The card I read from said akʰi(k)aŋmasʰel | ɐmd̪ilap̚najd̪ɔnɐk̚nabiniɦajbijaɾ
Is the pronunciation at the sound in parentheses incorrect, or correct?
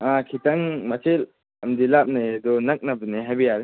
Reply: incorrect